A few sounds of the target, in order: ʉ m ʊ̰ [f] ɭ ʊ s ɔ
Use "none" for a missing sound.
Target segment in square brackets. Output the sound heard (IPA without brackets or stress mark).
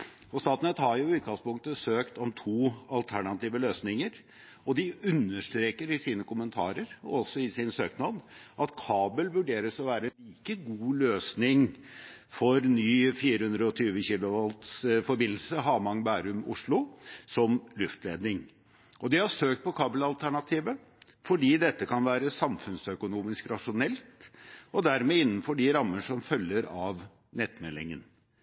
ʂ